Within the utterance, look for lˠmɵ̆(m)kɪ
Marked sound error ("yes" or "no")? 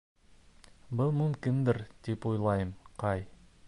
no